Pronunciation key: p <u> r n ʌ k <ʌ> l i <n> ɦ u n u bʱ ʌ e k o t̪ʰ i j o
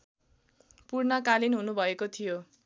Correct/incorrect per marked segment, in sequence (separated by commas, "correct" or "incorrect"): correct, incorrect, correct